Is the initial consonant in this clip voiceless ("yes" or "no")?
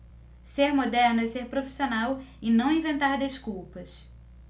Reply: yes